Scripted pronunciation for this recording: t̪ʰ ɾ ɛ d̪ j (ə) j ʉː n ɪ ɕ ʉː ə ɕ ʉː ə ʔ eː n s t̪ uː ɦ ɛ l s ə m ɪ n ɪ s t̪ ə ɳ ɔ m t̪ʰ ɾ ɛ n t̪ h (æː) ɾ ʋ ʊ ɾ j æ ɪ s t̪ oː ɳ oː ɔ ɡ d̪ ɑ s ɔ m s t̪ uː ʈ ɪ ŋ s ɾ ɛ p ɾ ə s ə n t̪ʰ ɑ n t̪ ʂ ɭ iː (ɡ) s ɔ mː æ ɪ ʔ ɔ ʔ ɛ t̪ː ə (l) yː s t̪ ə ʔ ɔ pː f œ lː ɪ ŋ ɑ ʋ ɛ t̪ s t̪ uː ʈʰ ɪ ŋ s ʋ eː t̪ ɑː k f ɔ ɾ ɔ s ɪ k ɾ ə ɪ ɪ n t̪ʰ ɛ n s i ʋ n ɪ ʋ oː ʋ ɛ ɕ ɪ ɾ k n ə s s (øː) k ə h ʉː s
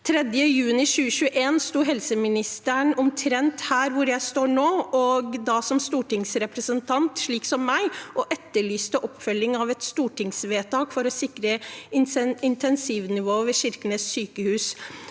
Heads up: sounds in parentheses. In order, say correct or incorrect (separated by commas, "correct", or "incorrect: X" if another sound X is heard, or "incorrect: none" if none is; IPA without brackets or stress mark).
correct, correct, incorrect: k, incorrect: ɭ, incorrect: yː